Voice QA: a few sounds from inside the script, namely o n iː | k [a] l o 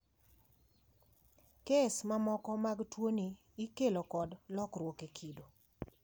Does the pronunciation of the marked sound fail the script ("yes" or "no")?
yes